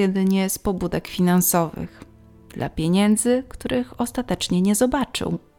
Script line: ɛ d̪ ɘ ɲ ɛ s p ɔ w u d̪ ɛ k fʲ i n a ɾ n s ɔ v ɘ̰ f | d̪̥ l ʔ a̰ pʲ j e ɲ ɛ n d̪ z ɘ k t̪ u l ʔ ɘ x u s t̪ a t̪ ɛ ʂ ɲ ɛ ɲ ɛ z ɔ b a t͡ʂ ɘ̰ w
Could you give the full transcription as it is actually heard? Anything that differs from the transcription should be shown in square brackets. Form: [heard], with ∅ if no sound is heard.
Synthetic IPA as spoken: ɛ d̪ ɘ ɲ ɛ s p ɔ [b] u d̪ ɛ k fʲ i n a [∅] n s ɔ v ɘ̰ [x] | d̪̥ l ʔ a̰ pʲ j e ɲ ɛ n d̪ z ɘ k t̪ u [ɾ] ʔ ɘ x [ɔ] s t̪ a t̪ ɛ [t͡ʂ] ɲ ɛ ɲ ɛ z ɔ b a t͡ʂ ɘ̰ w